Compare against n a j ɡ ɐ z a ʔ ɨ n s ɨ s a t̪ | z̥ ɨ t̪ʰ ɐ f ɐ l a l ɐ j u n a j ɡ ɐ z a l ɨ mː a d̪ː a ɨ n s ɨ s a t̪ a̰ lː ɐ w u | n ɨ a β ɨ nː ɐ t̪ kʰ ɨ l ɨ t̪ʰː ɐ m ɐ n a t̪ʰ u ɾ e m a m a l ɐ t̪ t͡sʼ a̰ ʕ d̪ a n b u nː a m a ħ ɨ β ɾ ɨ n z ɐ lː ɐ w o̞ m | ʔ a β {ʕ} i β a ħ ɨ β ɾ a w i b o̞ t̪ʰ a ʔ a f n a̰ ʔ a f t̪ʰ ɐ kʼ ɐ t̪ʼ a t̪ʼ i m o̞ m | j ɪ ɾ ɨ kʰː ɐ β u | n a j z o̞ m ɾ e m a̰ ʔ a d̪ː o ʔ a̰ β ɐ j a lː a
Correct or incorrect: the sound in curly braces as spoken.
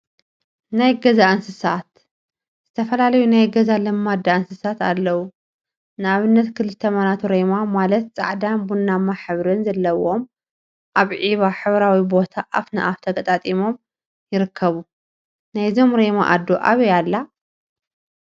correct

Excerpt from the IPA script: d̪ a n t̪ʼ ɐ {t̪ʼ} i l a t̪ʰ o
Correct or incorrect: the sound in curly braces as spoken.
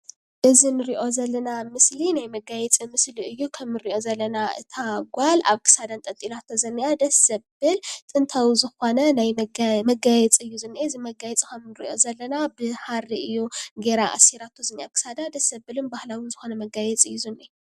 correct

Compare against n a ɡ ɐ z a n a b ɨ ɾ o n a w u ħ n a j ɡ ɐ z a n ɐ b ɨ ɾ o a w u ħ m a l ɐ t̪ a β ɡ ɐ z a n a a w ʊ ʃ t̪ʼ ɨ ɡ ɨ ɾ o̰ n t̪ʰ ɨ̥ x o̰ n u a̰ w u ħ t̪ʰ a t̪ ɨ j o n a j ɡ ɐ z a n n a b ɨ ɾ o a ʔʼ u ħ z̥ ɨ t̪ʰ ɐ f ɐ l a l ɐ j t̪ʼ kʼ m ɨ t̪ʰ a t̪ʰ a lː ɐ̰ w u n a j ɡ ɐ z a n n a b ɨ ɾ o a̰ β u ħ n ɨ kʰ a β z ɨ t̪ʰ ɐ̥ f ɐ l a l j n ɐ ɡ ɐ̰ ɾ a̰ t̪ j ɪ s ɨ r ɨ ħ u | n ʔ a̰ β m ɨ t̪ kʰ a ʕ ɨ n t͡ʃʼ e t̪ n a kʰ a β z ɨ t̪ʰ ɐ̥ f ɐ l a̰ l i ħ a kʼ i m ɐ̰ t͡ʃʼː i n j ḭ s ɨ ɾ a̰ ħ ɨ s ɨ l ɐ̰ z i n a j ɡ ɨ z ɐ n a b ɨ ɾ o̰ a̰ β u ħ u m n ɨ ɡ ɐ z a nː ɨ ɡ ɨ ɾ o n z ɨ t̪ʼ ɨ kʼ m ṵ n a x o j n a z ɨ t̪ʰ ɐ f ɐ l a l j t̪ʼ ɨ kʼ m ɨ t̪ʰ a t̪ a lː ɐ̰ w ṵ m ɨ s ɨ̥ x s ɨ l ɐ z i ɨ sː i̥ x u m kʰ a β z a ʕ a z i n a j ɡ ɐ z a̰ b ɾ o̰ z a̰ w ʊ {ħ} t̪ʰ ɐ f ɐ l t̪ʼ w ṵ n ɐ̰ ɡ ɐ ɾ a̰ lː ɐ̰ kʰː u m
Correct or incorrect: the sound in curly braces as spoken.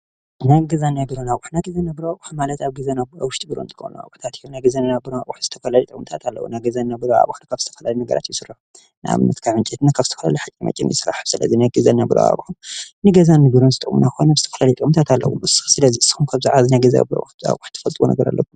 correct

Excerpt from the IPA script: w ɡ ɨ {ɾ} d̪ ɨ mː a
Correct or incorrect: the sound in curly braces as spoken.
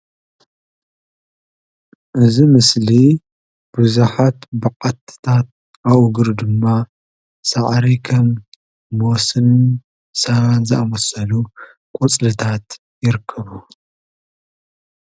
correct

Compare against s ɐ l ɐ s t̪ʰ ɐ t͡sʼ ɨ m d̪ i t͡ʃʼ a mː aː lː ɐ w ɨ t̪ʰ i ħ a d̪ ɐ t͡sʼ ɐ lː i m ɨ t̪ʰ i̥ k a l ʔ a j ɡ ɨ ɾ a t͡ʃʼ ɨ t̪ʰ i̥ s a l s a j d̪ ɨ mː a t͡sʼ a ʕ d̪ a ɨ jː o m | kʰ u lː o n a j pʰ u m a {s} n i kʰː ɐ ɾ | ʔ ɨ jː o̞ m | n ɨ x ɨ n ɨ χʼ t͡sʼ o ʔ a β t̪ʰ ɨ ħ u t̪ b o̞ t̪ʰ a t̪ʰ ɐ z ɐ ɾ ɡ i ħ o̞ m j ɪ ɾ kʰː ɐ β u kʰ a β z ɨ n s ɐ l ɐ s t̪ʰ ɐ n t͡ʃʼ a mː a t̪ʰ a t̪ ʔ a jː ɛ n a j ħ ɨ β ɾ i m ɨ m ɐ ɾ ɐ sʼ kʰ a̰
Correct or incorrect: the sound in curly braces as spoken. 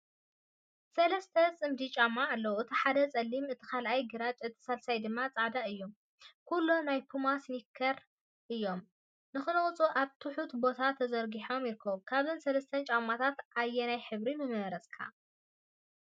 correct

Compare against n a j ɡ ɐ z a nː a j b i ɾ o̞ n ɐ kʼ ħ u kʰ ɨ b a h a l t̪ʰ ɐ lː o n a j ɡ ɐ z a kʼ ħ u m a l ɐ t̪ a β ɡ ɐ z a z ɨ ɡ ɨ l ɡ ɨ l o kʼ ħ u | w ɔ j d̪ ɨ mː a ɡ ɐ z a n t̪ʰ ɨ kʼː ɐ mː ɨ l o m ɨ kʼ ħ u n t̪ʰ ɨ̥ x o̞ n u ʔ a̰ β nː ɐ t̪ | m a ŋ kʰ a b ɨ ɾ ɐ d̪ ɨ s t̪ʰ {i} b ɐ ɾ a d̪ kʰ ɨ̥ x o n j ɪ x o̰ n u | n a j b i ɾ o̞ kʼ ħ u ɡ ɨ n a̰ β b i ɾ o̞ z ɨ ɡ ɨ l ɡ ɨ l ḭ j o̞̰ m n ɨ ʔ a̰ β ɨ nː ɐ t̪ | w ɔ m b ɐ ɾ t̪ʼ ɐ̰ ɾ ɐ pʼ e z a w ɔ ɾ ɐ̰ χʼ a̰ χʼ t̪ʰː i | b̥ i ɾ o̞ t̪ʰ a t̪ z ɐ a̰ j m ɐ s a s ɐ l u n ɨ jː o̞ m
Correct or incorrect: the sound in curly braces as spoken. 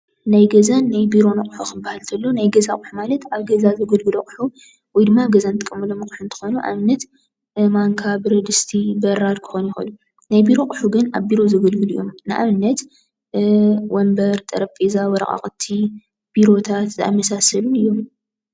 correct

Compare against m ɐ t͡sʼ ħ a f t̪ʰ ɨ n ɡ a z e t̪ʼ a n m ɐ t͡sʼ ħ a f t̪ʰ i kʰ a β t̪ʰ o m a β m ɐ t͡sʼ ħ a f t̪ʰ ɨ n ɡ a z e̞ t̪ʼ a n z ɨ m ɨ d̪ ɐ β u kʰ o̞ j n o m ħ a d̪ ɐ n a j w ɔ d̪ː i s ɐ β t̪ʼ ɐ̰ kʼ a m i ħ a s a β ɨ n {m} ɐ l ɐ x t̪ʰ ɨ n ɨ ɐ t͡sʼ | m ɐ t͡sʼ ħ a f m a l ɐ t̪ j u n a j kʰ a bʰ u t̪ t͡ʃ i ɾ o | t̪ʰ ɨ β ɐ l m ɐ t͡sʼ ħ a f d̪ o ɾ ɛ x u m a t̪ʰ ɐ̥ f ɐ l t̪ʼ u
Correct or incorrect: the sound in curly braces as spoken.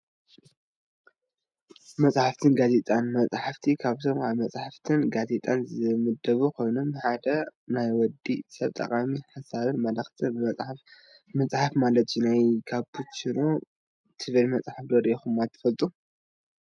correct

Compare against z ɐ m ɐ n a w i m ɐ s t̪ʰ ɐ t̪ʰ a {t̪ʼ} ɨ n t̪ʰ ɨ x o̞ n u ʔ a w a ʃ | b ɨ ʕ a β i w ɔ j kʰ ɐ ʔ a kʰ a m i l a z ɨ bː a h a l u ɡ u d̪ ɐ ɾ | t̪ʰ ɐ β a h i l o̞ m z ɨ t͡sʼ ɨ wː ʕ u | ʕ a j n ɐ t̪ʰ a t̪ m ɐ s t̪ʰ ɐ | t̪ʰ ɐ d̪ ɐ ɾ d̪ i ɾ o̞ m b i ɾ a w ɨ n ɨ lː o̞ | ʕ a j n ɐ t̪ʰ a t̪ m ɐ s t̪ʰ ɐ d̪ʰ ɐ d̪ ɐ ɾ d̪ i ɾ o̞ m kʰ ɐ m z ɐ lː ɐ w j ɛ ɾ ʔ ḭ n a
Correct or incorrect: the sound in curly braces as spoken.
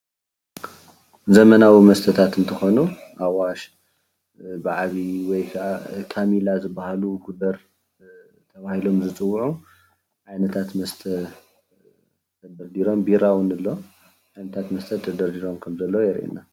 incorrect: t̪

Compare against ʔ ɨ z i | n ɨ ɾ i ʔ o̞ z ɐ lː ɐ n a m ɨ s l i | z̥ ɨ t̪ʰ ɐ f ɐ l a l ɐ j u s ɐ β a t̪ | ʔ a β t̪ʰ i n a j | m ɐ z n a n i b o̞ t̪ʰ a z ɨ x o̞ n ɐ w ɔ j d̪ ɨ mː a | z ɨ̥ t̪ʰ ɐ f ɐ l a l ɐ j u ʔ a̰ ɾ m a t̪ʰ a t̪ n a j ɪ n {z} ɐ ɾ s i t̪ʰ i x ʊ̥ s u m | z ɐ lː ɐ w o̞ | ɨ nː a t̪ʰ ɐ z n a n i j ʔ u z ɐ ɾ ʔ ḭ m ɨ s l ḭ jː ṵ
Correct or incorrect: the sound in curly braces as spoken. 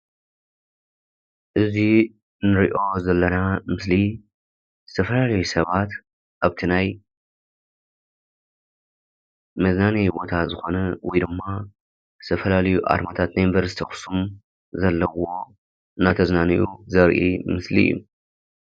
incorrect: v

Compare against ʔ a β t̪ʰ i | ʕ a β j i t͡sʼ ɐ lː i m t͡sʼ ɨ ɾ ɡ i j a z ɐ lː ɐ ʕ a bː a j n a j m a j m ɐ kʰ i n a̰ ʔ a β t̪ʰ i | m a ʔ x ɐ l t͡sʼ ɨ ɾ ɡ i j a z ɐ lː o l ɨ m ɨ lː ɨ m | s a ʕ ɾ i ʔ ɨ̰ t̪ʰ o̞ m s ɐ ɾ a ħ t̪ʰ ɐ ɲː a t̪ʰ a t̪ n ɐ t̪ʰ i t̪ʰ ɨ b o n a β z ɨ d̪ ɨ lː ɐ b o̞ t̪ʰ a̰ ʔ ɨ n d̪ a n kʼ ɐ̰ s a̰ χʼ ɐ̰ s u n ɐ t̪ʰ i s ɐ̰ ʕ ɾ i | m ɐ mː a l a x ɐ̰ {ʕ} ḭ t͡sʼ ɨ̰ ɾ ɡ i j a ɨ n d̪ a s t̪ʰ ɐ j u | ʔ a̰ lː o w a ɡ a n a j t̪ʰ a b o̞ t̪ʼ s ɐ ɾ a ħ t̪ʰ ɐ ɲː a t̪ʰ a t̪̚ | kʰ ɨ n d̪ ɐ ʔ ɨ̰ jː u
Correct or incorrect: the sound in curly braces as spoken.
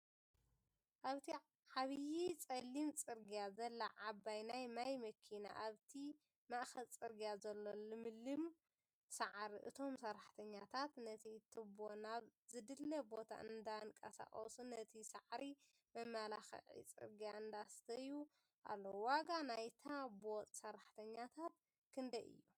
correct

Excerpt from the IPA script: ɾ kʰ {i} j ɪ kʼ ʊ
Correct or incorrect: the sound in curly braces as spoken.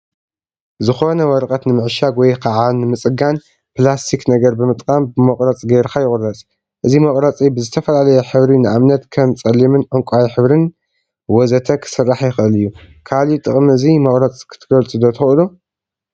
incorrect: a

